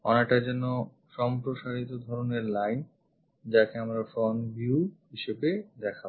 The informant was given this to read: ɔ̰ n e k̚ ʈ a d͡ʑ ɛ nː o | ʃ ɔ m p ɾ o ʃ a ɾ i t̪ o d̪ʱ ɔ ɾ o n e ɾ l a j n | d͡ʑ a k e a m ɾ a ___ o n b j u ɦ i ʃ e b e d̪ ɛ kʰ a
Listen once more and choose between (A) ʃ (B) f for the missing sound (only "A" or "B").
B